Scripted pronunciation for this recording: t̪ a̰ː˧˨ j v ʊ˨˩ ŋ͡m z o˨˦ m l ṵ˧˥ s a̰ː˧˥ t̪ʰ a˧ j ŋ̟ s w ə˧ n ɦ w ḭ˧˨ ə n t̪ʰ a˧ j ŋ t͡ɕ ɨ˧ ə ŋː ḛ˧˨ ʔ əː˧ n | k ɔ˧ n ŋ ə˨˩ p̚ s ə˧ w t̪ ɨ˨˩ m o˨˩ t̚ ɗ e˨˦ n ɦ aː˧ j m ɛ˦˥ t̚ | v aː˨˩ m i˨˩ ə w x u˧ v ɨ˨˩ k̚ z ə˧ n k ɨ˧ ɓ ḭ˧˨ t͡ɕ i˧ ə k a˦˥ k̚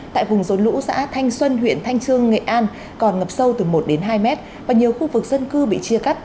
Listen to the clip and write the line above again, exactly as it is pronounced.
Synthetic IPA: t̪ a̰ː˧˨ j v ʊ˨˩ ŋ͡m z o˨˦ n l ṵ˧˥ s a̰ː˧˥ t̪ʰ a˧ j ŋ̟ s w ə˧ n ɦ w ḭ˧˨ ə n t̪ʰ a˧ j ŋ t͡ɕ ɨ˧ ə ŋː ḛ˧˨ ʔ aː˧ n | k ɔ˨˩ n ŋ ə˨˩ p̚ s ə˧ w t̪ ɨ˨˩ m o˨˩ t̚ ɗ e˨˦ n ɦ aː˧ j m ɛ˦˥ t̚ | v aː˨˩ ɲ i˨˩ ə w x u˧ v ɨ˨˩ k̚ z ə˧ n k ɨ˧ ɓ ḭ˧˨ t͡ɕ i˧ ə k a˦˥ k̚